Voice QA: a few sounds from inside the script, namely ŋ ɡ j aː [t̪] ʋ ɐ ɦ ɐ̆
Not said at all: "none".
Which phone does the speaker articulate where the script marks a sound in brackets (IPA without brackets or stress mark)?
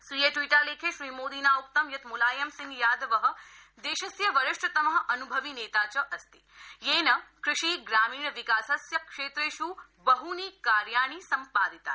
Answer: d̪